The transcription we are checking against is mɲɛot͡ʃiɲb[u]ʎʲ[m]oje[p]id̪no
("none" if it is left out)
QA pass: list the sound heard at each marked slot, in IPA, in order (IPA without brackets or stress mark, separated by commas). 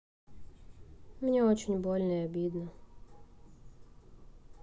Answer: o, n, b